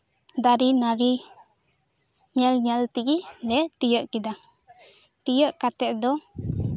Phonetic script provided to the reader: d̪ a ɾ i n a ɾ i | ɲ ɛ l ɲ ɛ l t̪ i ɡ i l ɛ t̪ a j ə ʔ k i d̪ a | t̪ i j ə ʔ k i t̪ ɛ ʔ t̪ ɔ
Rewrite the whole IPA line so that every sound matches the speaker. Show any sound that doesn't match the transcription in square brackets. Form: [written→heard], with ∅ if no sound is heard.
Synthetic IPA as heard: d̪ a ɾ i n a ɾ i | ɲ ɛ l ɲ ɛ l t̪ i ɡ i l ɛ t̪ [a→i] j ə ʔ k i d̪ a | t̪ i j ə ʔ k [i→a] t̪ ɛ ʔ [t̪→d̪] ɔ